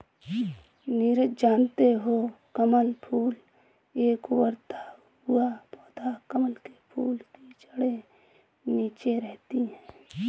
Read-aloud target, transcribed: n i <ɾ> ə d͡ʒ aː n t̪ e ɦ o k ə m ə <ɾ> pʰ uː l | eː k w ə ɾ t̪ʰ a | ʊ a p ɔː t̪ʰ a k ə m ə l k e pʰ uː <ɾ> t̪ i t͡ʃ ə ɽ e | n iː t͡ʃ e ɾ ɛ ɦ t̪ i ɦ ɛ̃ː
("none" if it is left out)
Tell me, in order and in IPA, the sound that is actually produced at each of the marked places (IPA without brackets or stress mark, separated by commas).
ɾ, l, l